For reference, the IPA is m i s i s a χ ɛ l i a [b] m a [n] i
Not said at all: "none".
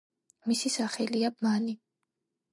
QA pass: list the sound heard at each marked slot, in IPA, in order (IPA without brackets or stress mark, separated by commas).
b, n